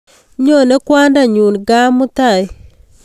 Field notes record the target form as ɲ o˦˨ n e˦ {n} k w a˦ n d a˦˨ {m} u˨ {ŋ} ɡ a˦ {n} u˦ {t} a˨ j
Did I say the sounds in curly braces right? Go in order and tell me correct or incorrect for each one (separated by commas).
incorrect, incorrect, incorrect, incorrect, correct